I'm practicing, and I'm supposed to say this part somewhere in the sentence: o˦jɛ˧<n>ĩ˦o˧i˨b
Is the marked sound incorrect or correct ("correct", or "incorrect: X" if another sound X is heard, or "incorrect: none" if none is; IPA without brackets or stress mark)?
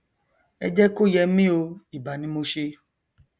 incorrect: m